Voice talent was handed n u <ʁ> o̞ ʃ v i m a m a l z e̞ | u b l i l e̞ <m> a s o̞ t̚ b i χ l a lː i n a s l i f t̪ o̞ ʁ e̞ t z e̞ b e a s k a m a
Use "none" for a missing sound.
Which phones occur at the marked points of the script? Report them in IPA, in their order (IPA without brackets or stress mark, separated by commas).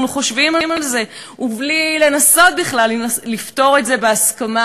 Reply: χ, n